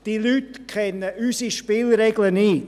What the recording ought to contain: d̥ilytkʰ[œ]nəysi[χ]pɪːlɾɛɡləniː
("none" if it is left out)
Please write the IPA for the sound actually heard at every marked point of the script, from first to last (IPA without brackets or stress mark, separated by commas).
ɛ, ʃ